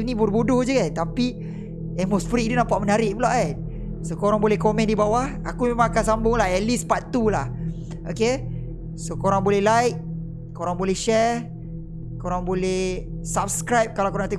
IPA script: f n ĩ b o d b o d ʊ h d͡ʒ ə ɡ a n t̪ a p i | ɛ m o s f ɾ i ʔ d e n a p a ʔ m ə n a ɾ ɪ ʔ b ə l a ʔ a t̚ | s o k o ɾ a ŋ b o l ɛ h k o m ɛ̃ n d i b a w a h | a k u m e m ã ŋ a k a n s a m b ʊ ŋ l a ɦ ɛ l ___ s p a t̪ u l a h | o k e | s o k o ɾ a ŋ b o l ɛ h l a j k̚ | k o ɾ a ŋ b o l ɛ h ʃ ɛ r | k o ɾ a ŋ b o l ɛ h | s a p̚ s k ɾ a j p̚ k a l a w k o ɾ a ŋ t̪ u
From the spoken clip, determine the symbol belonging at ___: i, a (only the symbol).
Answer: i